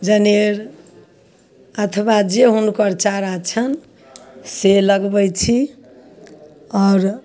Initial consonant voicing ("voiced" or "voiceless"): voiced